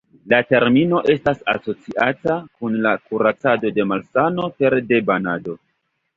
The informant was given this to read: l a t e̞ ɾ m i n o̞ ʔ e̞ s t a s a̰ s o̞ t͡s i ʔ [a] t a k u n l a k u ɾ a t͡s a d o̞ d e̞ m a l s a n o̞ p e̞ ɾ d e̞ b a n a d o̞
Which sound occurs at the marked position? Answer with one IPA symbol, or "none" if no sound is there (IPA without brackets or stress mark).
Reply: a